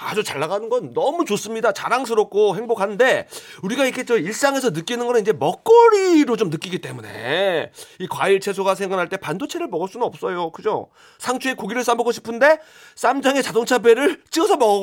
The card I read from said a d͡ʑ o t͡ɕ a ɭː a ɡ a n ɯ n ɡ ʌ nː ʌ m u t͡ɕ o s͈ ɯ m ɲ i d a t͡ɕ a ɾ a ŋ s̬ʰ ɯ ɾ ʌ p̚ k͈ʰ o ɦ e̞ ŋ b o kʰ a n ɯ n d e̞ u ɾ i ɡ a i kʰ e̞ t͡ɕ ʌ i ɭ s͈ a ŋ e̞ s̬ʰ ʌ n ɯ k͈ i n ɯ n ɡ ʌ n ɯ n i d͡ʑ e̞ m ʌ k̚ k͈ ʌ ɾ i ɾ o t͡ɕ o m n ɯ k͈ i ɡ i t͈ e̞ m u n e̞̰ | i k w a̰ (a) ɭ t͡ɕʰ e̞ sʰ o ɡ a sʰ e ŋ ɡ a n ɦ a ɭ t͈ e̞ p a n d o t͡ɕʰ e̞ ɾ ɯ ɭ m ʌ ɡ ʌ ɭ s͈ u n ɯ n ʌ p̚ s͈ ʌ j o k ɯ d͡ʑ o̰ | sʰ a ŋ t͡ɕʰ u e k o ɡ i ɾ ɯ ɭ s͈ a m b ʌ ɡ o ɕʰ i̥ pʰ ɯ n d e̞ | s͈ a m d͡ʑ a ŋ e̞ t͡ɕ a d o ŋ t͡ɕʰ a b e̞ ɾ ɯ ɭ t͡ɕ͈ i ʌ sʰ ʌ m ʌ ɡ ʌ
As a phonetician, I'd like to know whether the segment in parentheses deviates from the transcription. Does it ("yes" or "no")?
yes